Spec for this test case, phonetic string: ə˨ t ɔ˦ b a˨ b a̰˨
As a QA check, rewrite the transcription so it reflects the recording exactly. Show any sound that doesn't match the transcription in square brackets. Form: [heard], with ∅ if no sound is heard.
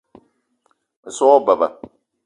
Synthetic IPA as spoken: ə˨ [s] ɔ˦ b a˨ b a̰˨